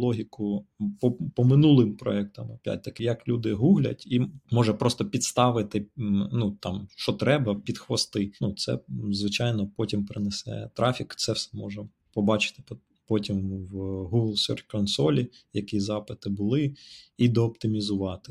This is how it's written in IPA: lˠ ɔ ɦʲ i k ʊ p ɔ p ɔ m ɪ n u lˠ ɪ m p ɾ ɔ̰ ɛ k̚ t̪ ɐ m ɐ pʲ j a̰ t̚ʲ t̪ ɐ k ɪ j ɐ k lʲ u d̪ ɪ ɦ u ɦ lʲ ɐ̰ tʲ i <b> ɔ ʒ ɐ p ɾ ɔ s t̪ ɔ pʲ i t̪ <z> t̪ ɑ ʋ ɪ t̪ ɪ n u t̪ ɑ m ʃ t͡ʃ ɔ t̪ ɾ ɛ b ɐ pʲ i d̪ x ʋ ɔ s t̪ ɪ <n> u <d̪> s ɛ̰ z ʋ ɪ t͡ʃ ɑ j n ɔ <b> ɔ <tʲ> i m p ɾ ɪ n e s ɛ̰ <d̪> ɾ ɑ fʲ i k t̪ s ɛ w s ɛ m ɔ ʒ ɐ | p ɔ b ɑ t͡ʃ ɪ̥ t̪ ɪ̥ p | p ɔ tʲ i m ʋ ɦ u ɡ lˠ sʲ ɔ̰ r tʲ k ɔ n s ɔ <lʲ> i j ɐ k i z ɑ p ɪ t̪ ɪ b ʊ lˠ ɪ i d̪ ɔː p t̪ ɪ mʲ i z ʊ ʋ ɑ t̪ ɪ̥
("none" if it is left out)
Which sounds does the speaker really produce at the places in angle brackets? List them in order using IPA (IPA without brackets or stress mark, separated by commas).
m, s, n, t̪, p, tʲ, t̪, lʲ